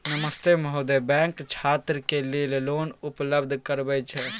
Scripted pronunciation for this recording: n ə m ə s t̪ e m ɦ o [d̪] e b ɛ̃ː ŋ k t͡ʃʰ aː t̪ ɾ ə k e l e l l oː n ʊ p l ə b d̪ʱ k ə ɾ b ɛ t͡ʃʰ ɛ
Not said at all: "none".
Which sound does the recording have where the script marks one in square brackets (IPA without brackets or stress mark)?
d̪